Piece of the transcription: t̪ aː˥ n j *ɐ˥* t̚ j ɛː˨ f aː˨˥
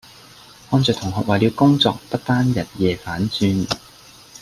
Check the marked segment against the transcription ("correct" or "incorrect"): incorrect